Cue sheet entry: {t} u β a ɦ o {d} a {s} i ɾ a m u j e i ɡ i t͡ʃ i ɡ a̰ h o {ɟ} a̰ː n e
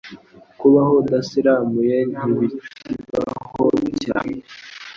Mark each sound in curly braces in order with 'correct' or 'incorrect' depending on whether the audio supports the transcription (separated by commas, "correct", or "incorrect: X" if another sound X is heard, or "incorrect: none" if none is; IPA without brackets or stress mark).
incorrect: k, correct, correct, incorrect: c